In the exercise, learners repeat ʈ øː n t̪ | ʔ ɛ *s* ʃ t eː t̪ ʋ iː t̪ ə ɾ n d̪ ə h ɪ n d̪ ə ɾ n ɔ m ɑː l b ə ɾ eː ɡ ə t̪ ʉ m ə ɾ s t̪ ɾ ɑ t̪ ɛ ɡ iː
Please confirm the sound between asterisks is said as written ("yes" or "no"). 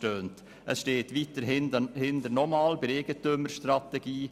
yes